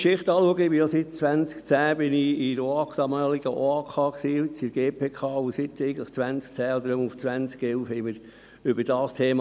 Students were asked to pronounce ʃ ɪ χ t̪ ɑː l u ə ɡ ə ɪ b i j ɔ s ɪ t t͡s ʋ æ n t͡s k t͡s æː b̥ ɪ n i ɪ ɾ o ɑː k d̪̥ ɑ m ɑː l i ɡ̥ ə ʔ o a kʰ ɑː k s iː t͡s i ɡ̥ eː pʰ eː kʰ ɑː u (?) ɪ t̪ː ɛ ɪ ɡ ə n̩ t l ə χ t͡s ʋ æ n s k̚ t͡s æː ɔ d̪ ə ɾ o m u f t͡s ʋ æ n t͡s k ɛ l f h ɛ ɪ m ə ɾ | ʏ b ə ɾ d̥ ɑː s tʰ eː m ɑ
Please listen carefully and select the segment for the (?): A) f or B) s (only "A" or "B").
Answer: B